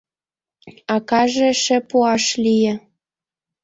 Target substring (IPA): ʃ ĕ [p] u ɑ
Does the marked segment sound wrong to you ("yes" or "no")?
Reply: no